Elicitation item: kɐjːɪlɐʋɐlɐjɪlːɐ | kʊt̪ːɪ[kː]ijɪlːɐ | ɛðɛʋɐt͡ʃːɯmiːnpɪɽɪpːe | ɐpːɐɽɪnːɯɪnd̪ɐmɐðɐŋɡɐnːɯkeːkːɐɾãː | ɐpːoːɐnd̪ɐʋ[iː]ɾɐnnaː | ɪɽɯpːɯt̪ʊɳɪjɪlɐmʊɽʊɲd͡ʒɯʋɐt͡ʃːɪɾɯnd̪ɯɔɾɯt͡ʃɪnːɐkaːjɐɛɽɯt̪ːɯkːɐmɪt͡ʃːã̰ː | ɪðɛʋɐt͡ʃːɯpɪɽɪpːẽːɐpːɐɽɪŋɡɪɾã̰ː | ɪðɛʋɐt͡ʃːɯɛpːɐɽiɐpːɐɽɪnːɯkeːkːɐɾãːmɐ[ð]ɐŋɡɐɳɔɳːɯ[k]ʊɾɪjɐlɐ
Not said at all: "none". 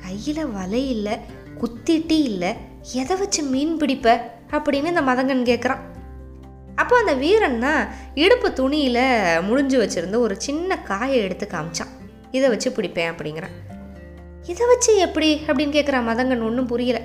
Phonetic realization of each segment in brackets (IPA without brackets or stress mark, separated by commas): ʈː, iː, ð, p